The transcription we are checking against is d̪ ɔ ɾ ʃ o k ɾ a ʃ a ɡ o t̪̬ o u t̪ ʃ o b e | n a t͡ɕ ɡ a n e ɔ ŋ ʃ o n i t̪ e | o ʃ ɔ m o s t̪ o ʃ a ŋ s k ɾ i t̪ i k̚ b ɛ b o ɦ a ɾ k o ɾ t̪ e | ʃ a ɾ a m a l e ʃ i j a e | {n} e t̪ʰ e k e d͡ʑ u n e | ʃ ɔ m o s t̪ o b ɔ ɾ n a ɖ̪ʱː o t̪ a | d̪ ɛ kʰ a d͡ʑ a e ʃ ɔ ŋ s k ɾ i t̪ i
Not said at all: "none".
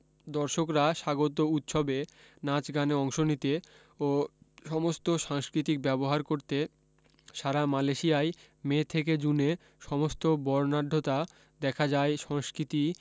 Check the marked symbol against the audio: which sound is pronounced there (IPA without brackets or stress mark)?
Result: m